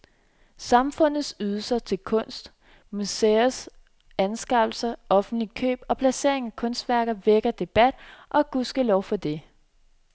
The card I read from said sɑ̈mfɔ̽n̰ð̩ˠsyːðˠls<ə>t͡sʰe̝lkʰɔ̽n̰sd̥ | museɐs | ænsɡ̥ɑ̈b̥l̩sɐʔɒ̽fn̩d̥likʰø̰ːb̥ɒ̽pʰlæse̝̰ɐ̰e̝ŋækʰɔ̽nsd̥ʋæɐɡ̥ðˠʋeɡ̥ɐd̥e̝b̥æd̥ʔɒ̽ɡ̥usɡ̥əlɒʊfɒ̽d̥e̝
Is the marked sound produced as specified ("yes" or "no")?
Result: no